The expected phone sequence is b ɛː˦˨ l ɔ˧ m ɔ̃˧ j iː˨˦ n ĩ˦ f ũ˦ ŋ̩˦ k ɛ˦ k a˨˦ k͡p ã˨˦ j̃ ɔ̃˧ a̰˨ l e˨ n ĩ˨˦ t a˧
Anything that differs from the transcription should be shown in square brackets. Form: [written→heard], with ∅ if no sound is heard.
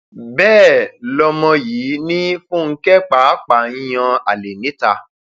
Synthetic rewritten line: b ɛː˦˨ l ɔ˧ m ɔ̃˧ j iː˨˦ n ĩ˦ f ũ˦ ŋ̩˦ k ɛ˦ [k→k͡p] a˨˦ k͡p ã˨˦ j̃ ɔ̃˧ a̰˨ l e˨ n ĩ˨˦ t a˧